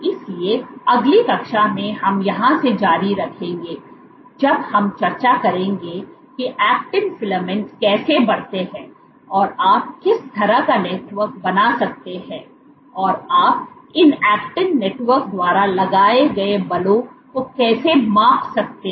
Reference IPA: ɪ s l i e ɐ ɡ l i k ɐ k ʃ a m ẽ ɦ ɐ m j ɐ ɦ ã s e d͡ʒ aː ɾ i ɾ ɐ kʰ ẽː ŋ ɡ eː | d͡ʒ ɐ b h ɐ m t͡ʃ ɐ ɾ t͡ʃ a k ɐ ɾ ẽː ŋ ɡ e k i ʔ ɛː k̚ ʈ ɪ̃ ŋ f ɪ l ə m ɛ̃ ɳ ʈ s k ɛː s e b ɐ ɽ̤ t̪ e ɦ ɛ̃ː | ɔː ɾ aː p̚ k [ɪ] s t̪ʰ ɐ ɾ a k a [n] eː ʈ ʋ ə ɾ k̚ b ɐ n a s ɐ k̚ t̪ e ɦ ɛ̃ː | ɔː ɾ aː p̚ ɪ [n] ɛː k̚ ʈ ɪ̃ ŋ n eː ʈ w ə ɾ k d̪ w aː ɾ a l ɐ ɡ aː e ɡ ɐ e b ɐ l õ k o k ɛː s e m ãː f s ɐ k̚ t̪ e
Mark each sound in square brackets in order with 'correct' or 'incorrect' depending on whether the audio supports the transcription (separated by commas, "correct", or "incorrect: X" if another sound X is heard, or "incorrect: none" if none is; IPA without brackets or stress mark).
correct, correct, correct